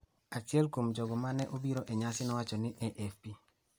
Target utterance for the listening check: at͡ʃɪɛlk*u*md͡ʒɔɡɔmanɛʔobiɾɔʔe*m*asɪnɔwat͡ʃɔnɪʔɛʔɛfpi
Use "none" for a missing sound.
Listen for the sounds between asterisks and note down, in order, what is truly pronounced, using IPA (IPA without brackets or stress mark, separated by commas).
o, ɲ